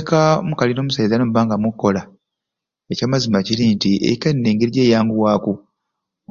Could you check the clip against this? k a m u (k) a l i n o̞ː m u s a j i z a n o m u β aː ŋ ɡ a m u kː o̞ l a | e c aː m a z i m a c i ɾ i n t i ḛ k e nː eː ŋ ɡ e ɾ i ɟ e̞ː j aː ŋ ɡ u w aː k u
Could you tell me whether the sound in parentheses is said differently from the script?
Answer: no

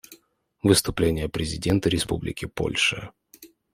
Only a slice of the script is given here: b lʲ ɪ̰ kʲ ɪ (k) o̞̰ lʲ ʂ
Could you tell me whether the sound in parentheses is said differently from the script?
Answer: yes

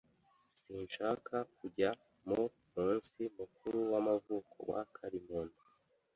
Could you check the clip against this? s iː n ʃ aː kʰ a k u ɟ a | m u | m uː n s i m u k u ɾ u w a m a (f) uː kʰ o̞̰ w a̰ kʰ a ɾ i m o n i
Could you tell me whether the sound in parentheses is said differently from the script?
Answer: yes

